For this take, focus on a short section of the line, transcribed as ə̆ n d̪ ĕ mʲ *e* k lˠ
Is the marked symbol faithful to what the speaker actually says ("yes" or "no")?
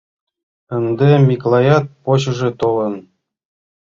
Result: no